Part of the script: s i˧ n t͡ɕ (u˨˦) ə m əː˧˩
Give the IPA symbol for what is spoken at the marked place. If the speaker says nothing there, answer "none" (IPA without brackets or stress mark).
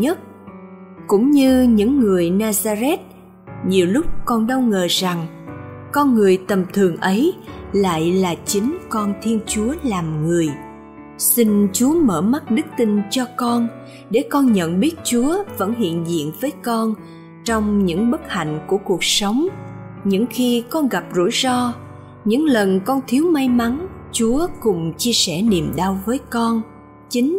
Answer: u˨˦